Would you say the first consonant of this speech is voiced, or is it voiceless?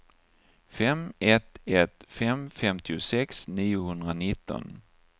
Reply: voiceless